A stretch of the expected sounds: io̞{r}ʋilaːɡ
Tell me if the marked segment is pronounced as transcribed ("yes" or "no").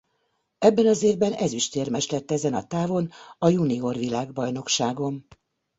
yes